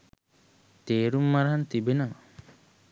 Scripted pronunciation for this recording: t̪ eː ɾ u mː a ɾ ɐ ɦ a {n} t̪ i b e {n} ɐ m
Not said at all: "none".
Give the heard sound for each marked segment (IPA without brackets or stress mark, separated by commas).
n, n